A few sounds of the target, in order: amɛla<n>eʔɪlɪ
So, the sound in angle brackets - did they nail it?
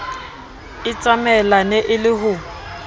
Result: yes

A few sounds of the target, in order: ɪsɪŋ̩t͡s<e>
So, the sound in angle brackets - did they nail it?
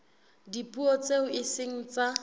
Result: no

